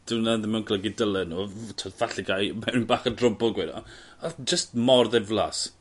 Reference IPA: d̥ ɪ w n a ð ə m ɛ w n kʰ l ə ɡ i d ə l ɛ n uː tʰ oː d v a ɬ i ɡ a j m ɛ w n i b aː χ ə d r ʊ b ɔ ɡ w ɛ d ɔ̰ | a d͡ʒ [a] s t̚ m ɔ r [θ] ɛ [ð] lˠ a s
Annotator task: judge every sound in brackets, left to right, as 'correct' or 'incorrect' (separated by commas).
incorrect, incorrect, incorrect